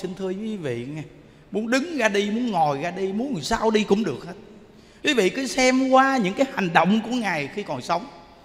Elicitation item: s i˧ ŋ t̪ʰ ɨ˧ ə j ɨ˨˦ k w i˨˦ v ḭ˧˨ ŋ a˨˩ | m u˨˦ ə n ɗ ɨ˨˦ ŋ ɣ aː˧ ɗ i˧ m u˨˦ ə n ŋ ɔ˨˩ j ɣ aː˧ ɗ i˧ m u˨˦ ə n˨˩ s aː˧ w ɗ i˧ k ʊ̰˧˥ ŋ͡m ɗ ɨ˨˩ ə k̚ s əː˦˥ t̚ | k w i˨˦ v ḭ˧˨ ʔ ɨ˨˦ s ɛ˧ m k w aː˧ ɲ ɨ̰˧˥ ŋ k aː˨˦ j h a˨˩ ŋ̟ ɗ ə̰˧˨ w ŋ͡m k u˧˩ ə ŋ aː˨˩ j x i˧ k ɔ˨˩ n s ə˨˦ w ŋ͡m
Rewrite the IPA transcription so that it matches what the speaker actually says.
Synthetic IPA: s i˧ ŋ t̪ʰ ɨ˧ ə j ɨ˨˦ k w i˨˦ v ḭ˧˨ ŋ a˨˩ | m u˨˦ ə n ɗ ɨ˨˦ ŋ ɣ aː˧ ɗ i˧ m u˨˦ ə n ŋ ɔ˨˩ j ɣ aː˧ ɗ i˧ m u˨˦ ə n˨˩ s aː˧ w ɗ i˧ k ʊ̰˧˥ ŋ͡m ɗ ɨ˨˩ ə k̚ h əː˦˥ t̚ | k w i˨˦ v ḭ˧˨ k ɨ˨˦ s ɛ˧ m k w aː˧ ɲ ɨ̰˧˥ ŋ k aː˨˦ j h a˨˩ ŋ̟ ɗ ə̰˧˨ w ŋ͡m k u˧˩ ə ŋ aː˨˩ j x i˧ k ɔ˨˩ n s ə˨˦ w ŋ͡m